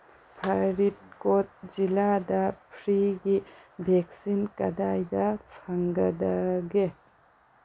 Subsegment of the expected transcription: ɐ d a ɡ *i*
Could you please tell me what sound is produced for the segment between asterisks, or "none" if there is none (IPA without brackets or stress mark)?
e